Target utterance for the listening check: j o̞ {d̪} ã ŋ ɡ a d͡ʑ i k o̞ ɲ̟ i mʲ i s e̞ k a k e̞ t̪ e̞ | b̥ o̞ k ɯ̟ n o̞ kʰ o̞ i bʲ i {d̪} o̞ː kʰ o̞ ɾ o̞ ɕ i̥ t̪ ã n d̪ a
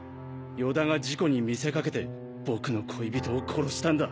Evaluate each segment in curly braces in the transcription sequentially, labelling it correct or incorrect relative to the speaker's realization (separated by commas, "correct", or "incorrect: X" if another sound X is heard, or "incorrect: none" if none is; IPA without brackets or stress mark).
correct, incorrect: t̪